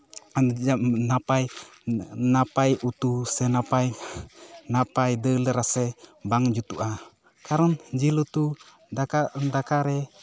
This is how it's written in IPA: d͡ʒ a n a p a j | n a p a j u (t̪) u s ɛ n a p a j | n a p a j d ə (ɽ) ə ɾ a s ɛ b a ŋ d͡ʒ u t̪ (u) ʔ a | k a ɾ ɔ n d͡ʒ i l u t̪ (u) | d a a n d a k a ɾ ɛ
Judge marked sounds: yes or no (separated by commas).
yes, no, yes, yes